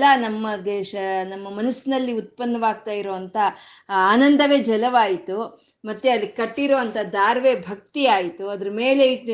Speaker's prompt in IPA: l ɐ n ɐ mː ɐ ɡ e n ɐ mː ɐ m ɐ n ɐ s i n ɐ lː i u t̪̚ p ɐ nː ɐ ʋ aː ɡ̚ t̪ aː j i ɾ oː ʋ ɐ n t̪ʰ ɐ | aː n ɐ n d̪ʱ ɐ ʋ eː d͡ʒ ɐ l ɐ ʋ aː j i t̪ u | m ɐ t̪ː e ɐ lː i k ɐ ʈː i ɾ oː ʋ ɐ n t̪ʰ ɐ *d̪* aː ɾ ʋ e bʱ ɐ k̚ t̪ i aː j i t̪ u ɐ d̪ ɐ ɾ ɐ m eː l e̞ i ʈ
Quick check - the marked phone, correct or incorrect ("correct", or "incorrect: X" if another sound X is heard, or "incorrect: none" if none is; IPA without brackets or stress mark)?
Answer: correct